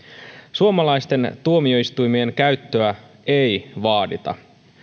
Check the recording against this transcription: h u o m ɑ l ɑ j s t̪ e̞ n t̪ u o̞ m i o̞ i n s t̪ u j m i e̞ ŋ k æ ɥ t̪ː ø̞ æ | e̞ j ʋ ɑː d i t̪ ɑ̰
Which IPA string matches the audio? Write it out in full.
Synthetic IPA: s u o m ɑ l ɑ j s t̪ e̞ n t̪ u o̞ m i o̞ i s t̪ u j m i e̞ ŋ k æ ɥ t̪ː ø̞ æ | e̞ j ʋ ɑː d i t̪ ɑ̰